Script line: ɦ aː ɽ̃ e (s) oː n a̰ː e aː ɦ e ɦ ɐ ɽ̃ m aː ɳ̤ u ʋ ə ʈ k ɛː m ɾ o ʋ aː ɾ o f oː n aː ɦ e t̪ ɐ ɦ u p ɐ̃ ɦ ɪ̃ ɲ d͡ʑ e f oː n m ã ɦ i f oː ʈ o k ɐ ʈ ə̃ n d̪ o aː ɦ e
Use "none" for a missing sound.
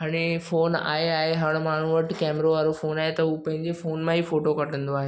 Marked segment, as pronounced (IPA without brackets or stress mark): f